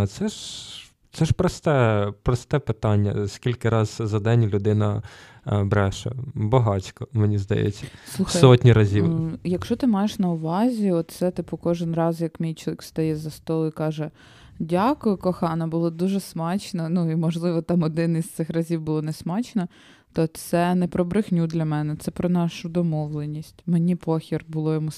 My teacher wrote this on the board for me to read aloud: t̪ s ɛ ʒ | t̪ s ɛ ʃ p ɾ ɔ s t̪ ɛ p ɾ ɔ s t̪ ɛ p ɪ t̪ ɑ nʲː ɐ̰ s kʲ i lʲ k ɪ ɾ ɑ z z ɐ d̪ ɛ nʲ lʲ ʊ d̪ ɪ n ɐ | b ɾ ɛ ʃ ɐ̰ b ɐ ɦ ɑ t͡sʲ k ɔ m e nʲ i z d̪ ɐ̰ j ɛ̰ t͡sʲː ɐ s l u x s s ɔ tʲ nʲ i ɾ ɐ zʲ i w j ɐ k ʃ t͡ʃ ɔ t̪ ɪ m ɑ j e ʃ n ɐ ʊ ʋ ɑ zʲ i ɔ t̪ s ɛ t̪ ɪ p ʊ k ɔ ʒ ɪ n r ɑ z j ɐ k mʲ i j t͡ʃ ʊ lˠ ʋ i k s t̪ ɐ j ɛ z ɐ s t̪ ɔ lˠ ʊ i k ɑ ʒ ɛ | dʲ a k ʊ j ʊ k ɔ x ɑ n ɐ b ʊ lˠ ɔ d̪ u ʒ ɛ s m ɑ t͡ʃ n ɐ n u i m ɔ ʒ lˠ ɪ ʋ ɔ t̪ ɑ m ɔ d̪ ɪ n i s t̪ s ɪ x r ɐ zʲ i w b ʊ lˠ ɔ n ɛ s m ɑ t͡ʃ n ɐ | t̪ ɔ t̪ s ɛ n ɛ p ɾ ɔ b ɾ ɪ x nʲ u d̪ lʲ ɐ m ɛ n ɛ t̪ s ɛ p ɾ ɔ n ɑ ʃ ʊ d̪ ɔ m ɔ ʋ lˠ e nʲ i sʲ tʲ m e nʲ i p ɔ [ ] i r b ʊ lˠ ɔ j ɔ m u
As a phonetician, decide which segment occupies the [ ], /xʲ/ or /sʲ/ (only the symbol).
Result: xʲ